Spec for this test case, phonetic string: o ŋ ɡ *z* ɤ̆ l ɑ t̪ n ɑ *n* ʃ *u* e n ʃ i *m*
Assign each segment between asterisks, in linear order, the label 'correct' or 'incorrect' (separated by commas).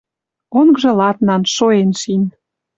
incorrect, correct, incorrect, incorrect